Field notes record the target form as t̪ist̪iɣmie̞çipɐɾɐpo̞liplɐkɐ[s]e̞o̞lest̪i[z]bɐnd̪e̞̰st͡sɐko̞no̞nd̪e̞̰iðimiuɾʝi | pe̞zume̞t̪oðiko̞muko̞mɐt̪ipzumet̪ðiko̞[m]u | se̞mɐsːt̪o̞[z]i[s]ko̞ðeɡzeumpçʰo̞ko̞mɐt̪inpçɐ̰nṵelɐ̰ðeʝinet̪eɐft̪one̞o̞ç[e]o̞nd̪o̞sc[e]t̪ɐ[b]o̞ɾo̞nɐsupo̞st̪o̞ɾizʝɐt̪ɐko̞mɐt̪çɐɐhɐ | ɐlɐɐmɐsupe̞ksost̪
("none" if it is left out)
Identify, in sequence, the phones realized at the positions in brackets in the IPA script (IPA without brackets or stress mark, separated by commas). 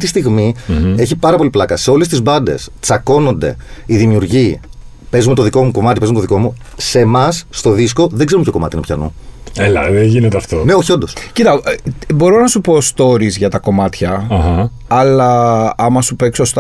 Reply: s, z, m, ð, s, i, i, b